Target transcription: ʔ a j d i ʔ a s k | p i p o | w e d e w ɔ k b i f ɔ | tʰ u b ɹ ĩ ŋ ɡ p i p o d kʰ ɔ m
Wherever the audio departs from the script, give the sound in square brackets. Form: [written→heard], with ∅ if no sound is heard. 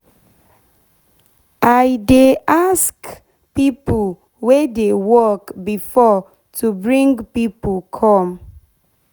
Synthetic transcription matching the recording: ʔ a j d [i→e] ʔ a s k | p i p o | w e d e w ɔ k b i f ɔ | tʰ u b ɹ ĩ ŋ ɡ p i p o [d→∅] kʰ ɔ m